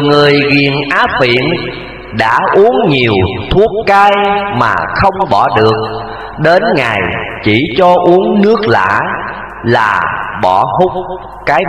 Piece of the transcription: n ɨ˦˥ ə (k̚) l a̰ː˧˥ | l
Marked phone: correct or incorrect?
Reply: correct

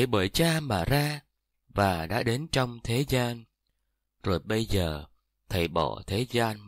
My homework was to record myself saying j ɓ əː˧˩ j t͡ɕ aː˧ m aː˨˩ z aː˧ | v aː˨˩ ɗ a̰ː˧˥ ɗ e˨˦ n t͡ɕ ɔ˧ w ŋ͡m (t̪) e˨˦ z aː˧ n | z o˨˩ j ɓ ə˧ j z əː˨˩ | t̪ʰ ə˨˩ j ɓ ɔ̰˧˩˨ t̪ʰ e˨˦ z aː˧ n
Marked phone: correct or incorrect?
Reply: incorrect: t̪ʰ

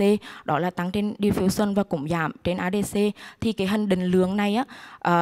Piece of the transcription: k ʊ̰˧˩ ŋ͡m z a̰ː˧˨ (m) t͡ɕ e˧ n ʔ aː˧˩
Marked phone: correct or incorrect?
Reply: correct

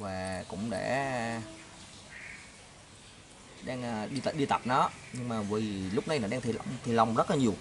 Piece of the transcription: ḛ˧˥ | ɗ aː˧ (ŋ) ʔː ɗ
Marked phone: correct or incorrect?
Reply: correct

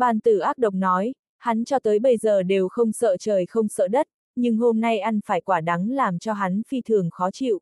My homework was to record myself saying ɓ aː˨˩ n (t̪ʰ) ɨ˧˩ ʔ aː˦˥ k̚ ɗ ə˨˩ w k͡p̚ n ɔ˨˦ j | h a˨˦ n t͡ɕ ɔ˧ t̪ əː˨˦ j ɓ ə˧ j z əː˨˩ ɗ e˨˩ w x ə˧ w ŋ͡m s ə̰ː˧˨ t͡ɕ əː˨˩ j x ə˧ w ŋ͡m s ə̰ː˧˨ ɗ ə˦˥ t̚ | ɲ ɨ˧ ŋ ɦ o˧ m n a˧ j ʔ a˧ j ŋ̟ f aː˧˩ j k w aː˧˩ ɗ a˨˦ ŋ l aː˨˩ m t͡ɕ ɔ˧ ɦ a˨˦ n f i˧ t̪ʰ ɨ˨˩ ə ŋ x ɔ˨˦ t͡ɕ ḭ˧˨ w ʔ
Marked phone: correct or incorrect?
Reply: incorrect: t̪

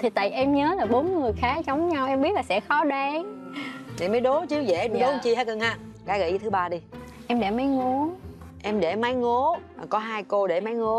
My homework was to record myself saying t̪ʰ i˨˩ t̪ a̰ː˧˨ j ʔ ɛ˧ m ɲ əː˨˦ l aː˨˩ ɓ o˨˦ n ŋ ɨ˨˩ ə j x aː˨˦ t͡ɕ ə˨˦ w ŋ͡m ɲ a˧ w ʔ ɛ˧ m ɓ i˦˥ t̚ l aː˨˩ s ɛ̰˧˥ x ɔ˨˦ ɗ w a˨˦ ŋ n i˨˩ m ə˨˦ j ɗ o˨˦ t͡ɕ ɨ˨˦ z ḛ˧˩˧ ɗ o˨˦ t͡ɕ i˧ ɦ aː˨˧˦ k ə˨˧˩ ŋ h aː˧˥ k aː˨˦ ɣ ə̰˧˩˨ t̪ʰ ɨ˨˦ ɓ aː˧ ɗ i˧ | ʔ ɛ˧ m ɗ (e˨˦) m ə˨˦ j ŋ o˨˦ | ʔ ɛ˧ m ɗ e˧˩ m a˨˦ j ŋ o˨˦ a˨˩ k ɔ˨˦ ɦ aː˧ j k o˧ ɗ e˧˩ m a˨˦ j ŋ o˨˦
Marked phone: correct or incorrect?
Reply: incorrect: e˧˩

